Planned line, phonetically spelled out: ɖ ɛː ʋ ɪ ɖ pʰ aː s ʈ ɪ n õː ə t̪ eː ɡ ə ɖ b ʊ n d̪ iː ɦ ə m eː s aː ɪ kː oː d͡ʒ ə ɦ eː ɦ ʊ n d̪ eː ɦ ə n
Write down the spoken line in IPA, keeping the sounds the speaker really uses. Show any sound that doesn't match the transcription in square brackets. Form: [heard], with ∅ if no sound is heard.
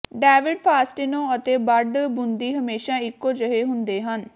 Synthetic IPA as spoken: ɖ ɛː ʋ ɪ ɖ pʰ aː s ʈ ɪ n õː ə t̪ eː [b] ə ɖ b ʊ n d̪ iː ɦ ə m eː [ʃ] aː ɪ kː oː d͡ʒ ə ɦ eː ɦ ʊ n d̪ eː ɦ ə n

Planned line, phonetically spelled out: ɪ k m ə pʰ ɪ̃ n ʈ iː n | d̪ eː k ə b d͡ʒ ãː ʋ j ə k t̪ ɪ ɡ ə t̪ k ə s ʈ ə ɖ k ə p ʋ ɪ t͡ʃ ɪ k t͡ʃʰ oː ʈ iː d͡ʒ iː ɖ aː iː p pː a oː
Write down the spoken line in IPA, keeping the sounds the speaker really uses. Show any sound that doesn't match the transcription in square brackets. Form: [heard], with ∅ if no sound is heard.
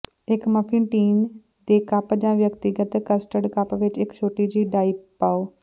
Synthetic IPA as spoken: ɪ k m ə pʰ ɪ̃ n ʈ iː n | d̪ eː k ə [p] d͡ʒ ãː ʋ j ə k t̪ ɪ ɡ ə t̪ k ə s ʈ ə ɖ k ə p ʋ ɪ t͡ʃ ɪ k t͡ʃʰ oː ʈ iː d͡ʒ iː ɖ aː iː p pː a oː

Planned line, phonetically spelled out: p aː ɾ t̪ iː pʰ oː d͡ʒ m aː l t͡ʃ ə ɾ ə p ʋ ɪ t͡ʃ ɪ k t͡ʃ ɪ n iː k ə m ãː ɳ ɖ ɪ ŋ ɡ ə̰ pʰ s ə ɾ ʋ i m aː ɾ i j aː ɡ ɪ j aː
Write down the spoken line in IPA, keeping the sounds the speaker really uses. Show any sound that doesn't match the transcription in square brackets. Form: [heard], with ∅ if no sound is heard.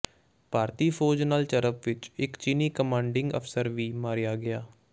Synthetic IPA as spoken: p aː ɾ t̪ iː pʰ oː d͡ʒ [n] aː l t͡ʃ ə ɾ ə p ʋ ɪ t͡ʃ ɪ k t͡ʃ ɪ n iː k ə m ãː ɳ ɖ ɪ ŋ ɡ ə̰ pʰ s ə ɾ ʋ [iː] m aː ɾ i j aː ɡ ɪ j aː

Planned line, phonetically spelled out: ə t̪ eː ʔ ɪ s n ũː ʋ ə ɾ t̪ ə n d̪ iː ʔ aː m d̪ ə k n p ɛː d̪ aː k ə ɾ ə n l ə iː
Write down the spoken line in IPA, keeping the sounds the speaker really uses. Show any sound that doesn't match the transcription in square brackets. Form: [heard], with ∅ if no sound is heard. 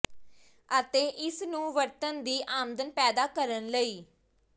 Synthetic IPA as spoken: ə t̪ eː ʔ ɪ s n ũː ʋ ə ɾ t̪ ə n d̪ iː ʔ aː m d̪ ə [∅] n p ɛː d̪ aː k ə ɾ ə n l ə iː

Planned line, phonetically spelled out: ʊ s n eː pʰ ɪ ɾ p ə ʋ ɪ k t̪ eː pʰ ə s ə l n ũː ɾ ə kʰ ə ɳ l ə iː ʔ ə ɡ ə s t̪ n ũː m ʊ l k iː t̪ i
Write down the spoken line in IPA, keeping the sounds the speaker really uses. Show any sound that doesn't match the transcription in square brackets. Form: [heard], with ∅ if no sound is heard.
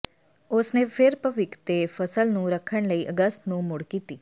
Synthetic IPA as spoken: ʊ s n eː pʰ ɪ ɾ p ə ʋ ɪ k t̪ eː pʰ ə s ə l n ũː ɾ ə kʰ ə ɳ l ə iː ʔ ə ɡ ə s t̪ n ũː m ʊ [ɽ] k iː t̪ [iː]

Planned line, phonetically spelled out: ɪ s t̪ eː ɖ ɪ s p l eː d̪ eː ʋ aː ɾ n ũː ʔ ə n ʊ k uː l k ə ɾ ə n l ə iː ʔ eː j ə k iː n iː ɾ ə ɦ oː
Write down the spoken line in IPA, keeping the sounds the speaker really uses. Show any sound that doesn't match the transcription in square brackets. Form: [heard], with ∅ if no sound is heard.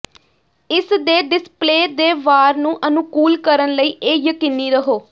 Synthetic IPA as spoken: ɪ s [d̪] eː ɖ ɪ s p l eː d̪ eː ʋ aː ɾ n ũː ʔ ə n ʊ k uː l k ə ɾ ə n l ə iː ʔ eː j ə k iː n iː ɾ ə ɦ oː

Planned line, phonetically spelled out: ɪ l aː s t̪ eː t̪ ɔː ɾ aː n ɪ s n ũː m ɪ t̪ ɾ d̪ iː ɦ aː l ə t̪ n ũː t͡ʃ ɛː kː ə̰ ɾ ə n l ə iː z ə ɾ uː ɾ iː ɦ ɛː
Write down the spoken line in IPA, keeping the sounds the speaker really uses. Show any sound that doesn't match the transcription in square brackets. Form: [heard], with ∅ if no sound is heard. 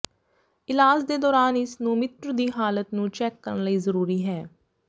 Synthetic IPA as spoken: ɪ l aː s [d̪] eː [d̪] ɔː ɾ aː n ɪ s n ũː m ɪ t̪ ɾ d̪ iː ɦ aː l ə t̪ n ũː t͡ʃ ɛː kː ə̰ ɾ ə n l ə iː z ə ɾ uː ɾ iː ɦ ɛː

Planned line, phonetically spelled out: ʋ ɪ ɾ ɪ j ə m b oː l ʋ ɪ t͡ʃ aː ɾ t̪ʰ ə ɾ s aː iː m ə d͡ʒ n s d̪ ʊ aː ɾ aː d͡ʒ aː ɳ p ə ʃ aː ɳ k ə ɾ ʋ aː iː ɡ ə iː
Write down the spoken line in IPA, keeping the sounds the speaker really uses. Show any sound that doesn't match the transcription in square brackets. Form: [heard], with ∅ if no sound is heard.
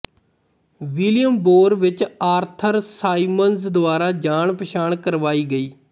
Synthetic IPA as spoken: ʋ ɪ [l] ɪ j ə m b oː [ɾ] ʋ ɪ t͡ʃ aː ɾ t̪ʰ ə ɾ s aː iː m ə [∅] n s d̪ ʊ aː ɾ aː d͡ʒ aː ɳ p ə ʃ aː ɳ k ə ɾ ʋ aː iː ɡ ə iː

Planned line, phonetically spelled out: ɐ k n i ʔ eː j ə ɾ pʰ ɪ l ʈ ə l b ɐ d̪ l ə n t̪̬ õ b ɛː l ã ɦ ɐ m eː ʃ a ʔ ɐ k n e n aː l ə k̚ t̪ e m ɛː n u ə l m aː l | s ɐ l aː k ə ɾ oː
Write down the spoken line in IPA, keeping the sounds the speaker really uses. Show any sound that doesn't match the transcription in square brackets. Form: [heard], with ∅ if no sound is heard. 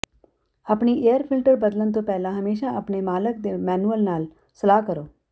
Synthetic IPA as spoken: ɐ [p] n i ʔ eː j ə ɾ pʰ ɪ l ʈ ə [ɾ] b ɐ d̪ l ə n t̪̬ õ [p] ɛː l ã ɦ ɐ m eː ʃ a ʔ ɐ [p] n e [m] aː l ə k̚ [d̪] e m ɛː n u ə l [n] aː l | s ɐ l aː k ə ɾ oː

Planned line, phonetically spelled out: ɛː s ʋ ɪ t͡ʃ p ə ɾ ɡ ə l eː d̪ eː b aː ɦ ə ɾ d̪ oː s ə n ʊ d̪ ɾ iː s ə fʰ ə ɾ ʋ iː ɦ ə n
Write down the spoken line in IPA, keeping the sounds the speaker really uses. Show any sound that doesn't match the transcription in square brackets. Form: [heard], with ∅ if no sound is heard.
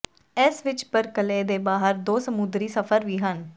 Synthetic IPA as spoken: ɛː s ʋ ɪ t͡ʃ p ə ɾ [k] ə l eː d̪ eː b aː ɦ ə ɾ d̪ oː s ə [m] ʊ d̪ ɾ iː s ə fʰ ə ɾ ʋ iː ɦ ə n

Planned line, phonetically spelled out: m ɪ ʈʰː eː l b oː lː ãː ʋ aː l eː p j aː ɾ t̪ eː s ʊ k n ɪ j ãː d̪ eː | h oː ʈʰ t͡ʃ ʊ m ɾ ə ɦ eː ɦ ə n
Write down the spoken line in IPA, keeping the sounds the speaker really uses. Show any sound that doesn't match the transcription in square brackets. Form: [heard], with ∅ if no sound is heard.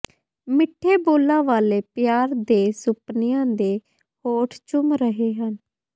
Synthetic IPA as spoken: m ɪ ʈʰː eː [∅] b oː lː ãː ʋ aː l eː p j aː ɾ [d̪] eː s ʊ [p] n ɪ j ãː d̪ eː | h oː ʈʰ t͡ʃ ʊ m ɾ ə ɦ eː ɦ ə n

